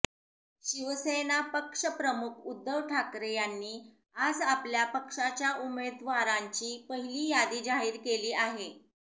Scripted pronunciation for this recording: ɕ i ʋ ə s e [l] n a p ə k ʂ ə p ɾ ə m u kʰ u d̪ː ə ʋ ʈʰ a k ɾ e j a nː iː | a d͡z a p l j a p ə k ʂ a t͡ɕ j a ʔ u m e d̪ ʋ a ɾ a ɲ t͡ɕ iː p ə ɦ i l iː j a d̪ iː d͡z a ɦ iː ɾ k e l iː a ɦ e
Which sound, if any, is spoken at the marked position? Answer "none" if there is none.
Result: none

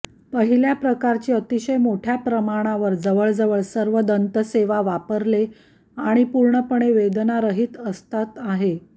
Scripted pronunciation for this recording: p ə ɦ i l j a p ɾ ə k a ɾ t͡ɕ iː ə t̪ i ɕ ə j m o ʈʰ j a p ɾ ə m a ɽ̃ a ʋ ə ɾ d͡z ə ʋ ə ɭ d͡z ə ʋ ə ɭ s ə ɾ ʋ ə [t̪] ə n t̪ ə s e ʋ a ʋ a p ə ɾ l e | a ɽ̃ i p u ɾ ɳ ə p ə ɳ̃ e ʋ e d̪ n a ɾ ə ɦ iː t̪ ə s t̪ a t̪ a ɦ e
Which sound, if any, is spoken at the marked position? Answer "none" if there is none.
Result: d̪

